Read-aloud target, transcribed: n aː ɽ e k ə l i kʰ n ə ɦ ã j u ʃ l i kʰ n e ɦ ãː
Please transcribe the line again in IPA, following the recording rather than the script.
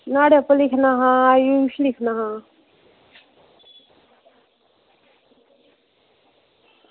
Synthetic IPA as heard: n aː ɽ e p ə l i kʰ n a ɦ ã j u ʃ l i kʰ n a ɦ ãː